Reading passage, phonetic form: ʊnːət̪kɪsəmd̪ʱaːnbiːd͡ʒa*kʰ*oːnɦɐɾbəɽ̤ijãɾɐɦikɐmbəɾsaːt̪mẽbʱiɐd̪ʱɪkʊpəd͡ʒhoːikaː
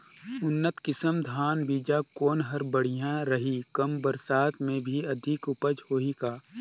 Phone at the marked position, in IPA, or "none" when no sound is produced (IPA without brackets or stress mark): k